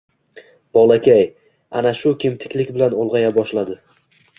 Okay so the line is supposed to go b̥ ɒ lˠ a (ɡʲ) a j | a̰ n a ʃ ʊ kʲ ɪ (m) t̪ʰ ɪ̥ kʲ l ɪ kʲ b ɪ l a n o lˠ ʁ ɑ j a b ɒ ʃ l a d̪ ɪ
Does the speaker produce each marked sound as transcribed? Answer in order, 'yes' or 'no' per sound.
no, yes

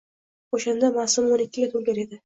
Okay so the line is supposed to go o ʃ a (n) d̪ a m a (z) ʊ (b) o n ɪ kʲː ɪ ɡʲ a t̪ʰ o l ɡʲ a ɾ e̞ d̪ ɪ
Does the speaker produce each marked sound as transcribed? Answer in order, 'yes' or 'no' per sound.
yes, no, no

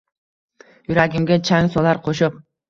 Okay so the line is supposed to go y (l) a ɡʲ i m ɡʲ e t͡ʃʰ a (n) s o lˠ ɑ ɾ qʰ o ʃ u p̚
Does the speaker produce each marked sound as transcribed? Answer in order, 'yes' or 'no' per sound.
no, no

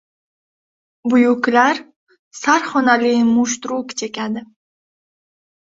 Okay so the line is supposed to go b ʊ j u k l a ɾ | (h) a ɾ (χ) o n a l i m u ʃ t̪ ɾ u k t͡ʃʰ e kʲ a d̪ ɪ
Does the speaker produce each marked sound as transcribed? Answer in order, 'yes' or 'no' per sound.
no, yes

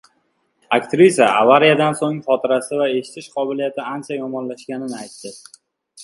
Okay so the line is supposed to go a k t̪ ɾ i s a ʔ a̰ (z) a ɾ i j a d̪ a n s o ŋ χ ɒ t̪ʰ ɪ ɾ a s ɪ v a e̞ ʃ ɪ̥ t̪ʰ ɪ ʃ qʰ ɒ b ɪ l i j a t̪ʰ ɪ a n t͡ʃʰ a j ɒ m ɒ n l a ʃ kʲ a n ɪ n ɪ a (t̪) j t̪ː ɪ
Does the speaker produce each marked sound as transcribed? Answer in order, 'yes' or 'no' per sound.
no, no

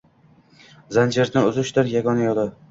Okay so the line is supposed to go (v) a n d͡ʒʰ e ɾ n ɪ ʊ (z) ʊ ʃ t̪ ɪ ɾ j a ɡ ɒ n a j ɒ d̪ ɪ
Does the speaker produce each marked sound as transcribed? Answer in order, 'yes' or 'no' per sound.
no, yes

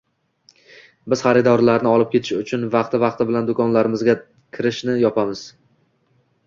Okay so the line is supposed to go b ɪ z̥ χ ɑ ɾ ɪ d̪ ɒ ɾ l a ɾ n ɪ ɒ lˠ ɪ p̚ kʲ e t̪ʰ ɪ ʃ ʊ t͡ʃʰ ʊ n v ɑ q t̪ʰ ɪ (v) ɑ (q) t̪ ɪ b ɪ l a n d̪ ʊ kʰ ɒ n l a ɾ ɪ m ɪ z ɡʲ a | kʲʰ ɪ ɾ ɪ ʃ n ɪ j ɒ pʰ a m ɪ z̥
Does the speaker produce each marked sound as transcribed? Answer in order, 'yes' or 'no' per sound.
yes, yes

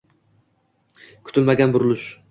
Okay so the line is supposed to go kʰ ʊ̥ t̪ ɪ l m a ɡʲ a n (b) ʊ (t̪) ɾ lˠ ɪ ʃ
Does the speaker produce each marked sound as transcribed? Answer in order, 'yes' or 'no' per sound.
yes, no

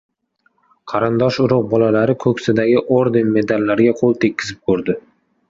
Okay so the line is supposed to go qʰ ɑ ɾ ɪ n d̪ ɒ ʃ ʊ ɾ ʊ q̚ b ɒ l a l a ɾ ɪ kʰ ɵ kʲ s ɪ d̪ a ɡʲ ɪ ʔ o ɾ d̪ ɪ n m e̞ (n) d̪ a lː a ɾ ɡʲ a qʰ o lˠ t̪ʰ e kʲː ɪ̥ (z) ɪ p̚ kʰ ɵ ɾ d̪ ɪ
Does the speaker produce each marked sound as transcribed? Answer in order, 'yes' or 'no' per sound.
no, yes

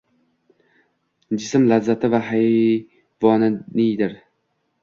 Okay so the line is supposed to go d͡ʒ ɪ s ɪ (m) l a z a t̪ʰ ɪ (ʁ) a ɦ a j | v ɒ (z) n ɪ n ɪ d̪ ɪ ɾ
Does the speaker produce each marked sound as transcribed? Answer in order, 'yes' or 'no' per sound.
yes, no, no

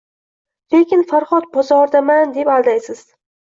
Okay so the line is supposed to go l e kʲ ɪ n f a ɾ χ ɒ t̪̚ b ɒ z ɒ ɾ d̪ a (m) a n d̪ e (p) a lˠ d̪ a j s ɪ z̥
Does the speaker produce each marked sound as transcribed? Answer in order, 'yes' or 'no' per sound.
yes, yes

